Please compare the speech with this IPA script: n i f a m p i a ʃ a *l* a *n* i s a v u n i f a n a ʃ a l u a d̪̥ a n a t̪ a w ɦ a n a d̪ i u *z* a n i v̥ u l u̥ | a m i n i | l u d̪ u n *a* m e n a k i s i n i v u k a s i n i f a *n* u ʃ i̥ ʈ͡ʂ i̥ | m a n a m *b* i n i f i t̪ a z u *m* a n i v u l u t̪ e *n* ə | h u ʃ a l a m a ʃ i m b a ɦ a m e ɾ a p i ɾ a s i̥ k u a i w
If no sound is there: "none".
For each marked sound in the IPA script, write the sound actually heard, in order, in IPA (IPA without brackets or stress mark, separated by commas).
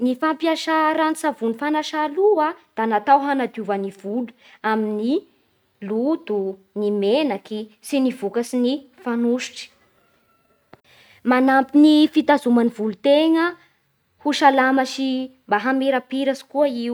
ɾ, n, v, i, n, p, m, ŋ